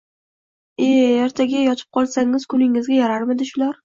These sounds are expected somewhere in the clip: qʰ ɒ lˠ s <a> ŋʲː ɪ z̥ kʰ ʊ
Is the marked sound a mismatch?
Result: no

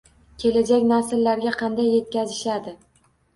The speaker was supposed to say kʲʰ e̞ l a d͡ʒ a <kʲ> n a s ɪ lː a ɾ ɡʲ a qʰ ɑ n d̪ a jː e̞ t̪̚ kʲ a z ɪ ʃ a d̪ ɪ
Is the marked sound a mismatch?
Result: no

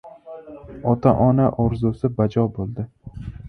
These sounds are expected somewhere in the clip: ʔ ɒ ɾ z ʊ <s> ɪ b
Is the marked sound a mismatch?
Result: no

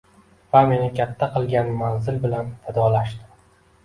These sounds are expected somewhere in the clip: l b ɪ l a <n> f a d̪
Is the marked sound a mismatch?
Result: no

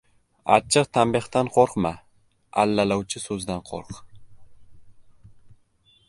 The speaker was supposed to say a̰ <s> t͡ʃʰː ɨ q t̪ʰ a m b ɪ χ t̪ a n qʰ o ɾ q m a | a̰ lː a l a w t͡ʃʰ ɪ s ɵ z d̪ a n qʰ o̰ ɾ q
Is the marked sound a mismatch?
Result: yes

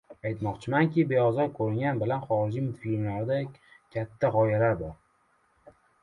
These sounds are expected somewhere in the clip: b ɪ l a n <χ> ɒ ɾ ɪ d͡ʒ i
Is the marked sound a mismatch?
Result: no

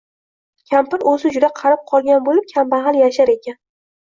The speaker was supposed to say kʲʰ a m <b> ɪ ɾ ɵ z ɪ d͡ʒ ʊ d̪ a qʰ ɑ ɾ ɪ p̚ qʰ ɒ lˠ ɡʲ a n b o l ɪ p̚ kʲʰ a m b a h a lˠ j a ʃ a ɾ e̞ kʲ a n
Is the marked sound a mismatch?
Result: yes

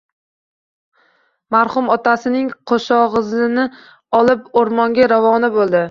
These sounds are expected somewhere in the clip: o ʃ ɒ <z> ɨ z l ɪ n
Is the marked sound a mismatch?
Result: yes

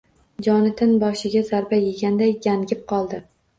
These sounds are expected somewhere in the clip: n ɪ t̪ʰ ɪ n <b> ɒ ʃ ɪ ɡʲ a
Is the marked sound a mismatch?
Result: no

